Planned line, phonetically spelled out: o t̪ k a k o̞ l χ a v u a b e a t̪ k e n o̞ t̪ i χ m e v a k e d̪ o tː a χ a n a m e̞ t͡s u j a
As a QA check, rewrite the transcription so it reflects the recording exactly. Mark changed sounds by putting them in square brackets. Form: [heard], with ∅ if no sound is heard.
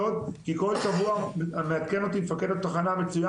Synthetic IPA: o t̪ k [i] k o̞ l [ʃ] a v u a [m] e a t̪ k e n o̞ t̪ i [∅] m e [f] a k e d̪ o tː a χ a n a m e̞ t͡s u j a